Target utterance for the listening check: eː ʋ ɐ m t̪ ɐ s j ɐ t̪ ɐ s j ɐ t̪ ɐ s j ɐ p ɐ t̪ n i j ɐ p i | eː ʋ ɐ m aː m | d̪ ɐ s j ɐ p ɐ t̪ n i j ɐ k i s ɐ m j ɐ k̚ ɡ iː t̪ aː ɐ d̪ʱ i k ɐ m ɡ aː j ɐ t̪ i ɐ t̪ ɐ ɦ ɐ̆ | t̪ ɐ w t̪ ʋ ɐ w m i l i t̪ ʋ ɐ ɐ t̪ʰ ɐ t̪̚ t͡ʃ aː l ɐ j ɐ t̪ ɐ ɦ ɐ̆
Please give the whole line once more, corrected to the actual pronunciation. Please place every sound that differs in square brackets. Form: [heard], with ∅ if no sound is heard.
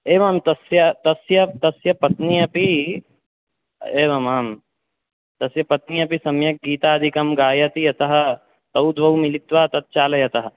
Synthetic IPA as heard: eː ʋ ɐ m t̪ ɐ s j ɐ t̪ ɐ s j ɐ t̪ ɐ s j ɐ p ɐ t̪ n i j ɐ p i | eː ʋ ɐ m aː m | [t̪] ɐ s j ɐ p ɐ t̪ n i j ɐ [p] i s ɐ m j ɐ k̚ ɡ iː t̪ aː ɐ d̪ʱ i k ɐ m ɡ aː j ɐ t̪ i ɐ t̪ ɐ ɦ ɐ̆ | t̪ ɐ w [d̪] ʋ ɐ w m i l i t̪ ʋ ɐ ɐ [t̪] ɐ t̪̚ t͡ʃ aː l ɐ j ɐ t̪ ɐ ɦ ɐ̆